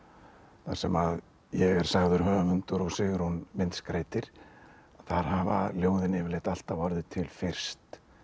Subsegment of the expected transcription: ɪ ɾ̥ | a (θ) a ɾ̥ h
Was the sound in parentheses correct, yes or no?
yes